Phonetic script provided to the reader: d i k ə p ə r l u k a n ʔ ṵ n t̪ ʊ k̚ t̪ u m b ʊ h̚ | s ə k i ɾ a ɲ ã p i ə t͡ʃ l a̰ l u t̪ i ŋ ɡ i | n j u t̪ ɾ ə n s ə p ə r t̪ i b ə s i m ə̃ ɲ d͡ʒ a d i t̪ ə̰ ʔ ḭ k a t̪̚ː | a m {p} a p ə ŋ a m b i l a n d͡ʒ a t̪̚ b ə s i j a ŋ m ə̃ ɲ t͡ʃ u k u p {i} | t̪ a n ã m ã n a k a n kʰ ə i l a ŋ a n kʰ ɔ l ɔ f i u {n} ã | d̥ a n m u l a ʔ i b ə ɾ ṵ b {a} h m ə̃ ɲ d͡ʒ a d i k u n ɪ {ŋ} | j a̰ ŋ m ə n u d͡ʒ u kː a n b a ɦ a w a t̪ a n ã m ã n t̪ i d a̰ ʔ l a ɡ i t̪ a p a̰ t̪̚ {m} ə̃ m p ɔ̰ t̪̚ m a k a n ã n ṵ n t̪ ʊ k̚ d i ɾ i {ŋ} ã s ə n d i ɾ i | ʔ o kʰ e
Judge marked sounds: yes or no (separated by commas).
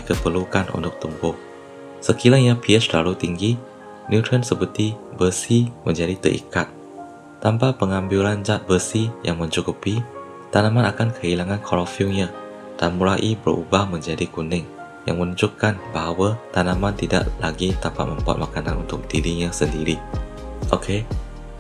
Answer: yes, yes, no, yes, yes, yes, no